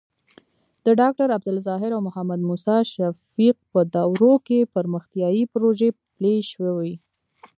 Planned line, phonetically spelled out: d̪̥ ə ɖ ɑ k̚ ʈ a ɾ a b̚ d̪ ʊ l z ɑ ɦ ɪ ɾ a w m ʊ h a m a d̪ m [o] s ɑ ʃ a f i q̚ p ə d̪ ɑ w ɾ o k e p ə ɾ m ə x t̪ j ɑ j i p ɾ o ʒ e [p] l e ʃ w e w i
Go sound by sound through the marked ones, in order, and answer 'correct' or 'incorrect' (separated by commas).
incorrect, correct